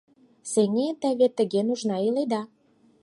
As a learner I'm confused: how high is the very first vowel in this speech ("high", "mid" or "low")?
mid